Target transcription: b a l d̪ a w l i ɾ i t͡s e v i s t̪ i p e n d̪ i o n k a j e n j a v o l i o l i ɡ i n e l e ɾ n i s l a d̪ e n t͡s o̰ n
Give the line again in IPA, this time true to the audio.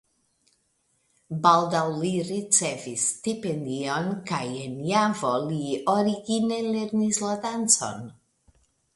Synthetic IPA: b a l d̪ a w l i ɾ i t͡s e v i s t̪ i p e n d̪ i o n k a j e n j a v o l i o ɾ i ɡ i n e l e ɾ n i s l a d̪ a n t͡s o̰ n